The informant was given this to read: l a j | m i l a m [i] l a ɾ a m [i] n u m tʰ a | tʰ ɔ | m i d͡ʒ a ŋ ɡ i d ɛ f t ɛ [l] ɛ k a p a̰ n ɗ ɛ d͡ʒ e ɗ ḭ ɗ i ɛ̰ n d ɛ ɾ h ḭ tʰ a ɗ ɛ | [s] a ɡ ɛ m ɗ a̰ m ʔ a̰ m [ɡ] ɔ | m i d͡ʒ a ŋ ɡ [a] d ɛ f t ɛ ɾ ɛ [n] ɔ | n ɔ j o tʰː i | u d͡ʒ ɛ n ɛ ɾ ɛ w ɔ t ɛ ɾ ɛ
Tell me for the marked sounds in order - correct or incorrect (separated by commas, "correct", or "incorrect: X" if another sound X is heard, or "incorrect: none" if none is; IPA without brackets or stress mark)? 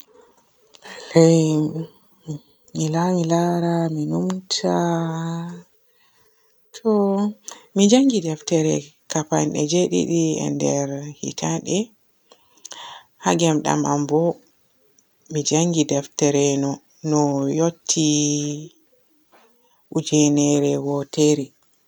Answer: correct, correct, incorrect: ɾ, incorrect: h, incorrect: b, incorrect: i, correct